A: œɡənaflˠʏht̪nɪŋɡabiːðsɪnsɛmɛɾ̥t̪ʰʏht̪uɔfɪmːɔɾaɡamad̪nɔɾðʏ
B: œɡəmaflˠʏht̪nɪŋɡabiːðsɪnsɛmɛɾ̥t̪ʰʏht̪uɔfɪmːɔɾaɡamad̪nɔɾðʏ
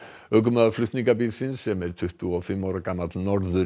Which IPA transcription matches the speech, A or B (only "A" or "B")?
B